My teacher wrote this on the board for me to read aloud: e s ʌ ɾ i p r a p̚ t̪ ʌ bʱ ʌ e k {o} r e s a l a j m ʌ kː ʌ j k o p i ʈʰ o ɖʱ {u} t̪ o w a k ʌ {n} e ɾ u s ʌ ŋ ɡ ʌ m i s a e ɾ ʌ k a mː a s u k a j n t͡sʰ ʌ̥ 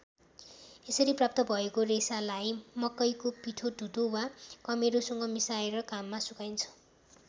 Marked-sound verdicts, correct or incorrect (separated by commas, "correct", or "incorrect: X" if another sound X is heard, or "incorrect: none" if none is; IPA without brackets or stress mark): correct, correct, incorrect: m